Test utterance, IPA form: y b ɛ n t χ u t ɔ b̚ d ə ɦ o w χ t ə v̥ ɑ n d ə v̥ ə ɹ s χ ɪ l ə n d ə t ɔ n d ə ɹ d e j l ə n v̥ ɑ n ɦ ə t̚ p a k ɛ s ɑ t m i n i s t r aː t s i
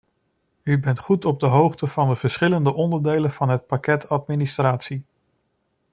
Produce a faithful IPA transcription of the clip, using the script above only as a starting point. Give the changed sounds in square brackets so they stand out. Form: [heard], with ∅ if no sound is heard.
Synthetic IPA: y b ɛ n t χ u t ɔ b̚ d ə ɦ o w χ t ə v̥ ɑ n d ə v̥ ə ɹ s χ ɪ l ə n d ə [ʔ] ɔ n d ə ɹ d e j l ə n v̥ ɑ n ɦ ə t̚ p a k ɛ [t] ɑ t m i n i s t r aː t s i